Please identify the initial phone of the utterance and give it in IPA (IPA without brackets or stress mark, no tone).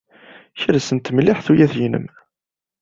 ç